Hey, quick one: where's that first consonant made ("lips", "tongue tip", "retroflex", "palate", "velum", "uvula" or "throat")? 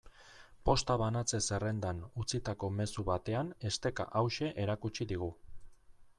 lips